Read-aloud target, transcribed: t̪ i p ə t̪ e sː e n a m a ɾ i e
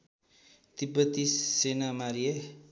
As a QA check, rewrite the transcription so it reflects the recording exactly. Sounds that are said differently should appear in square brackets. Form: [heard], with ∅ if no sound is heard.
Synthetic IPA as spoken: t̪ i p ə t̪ [i] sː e n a m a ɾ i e